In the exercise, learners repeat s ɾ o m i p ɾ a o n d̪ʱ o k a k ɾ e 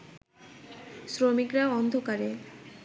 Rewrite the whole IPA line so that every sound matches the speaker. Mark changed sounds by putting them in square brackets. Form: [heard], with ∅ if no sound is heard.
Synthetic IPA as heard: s ɾ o m i [k] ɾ a [ɔ] n d̪ʱ o k a [∅] ɾ e